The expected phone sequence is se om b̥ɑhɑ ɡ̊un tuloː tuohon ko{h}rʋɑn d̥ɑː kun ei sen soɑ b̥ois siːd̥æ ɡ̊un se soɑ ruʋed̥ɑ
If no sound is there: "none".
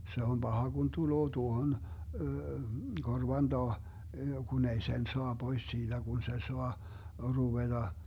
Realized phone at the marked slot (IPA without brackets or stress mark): none